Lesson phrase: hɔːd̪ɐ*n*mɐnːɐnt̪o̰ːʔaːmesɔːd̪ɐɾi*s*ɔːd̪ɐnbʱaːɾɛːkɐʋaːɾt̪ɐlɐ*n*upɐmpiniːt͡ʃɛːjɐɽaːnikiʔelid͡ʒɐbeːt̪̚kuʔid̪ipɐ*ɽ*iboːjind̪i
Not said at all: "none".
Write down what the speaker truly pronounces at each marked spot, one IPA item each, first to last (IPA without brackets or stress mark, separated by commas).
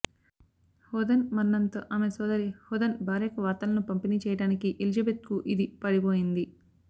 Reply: n, h, n, ɽ